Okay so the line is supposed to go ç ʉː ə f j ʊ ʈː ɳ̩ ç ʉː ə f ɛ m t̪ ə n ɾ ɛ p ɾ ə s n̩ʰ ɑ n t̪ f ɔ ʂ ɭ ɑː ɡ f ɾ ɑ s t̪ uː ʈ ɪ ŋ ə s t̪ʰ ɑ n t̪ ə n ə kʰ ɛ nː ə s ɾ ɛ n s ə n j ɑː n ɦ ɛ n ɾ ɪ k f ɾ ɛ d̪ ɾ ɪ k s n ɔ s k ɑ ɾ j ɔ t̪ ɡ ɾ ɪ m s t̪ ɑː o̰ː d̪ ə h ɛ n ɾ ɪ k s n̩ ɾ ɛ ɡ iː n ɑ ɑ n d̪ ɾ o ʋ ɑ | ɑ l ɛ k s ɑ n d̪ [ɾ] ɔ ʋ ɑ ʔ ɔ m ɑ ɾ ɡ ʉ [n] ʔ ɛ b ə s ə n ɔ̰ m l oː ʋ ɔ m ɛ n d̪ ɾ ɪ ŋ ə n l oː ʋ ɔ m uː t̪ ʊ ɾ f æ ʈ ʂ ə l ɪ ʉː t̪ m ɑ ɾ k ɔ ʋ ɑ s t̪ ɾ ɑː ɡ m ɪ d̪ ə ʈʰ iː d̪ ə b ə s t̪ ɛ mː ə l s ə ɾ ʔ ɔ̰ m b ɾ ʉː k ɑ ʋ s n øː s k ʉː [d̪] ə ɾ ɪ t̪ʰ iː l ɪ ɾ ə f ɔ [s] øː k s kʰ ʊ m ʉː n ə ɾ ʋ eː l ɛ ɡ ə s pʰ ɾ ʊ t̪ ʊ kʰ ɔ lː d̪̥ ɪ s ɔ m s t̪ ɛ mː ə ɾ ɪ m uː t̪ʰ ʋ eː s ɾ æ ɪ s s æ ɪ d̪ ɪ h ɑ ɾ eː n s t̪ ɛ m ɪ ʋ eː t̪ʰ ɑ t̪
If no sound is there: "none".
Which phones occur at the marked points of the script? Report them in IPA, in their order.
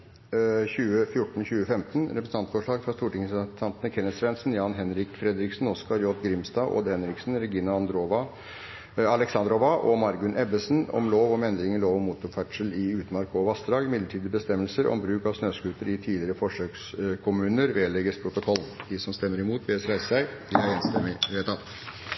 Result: ɾ, n, t̪, ʂ

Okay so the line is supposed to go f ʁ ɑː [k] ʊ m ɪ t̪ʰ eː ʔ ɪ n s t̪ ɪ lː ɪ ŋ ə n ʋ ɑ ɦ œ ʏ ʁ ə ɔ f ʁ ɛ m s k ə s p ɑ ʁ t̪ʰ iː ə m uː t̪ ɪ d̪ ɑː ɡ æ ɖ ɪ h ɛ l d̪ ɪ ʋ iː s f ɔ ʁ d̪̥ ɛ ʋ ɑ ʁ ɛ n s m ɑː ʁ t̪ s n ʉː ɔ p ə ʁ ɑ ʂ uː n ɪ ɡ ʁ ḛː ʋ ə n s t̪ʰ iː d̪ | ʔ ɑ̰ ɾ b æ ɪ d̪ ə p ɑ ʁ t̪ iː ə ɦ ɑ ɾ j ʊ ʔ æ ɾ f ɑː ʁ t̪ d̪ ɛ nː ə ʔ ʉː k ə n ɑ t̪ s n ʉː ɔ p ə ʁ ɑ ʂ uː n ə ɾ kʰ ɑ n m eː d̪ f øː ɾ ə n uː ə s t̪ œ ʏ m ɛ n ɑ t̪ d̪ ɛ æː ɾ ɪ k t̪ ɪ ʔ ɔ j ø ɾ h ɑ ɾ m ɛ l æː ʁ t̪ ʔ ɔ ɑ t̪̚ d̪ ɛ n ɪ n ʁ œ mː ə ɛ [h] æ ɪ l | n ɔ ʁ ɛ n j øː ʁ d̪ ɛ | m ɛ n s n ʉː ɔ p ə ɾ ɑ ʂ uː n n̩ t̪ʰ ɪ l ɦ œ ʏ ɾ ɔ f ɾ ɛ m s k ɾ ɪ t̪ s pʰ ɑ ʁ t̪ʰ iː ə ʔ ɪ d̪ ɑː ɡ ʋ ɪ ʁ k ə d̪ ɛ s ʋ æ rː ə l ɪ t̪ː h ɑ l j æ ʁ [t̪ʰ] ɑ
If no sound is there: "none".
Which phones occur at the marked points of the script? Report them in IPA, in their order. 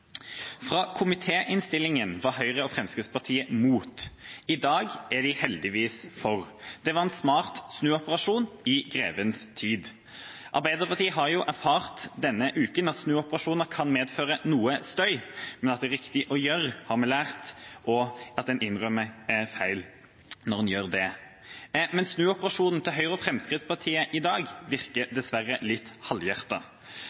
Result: kʰ, f, t̪

